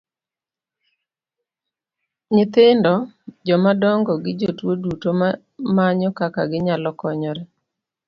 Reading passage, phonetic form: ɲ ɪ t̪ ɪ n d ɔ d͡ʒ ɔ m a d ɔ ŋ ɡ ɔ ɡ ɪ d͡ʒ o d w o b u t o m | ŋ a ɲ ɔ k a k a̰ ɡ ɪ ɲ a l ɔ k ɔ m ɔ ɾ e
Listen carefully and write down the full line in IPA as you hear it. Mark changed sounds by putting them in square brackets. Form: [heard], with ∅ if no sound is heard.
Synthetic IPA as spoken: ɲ ɪ t̪ ɪ n d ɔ d͡ʒ ɔ m a d ɔ ŋ ɡ ɔ ɡ ɪ d͡ʒ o [t] w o [d] u t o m | [m] a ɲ ɔ k a k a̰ ɡ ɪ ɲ a l ɔ k ɔ [ɲ] ɔ ɾ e